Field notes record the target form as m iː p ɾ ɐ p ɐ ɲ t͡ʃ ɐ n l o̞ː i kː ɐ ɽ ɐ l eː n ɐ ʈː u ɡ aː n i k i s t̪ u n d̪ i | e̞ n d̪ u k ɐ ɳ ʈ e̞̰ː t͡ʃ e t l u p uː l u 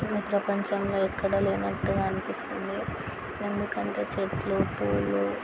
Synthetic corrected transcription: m iː p ɾ ɐ p ɐ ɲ t͡ʃ ɐ m l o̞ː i kː ɐ ɽ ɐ l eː n ɐ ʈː u ɡ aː n i p i s t̪ u n d̪ i | e̞ n d̪ u k ɐ ɳ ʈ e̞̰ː t͡ʃ e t l u p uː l u